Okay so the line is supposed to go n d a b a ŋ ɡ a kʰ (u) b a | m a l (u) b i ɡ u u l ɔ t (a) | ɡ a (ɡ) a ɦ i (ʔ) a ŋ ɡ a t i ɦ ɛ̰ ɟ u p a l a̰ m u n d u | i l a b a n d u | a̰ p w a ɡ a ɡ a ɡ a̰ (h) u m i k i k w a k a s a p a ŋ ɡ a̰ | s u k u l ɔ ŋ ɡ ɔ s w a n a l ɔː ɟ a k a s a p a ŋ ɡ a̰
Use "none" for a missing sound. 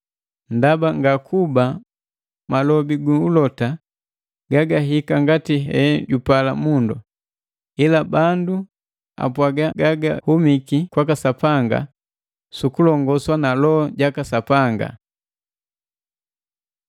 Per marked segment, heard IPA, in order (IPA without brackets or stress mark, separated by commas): u, ɔ, a, ɡ, k, h